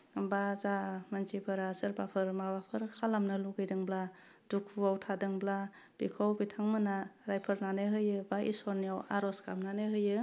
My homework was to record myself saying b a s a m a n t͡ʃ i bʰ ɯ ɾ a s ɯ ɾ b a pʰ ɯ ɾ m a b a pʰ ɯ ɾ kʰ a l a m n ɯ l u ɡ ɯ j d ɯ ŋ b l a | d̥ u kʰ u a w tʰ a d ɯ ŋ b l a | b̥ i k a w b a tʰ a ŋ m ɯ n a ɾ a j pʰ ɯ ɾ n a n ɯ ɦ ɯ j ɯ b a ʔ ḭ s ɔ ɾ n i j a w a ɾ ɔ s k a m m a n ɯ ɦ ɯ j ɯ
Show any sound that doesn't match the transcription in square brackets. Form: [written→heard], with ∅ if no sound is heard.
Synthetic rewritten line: b a [s→z] a m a n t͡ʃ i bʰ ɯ ɾ a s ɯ ɾ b a pʰ ɯ ɾ m a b a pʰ ɯ ɾ kʰ a l a m n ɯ l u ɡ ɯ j d ɯ ŋ b l a | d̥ u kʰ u a w tʰ a d ɯ ŋ b l a | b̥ i [k→kʰ] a w b [a→i] tʰ a ŋ m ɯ n a ɾ a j pʰ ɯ ɾ n a n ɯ ɦ ɯ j ɯ b a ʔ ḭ s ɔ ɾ n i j a w a ɾ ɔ s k a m [m→n] a n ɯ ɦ ɯ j ɯ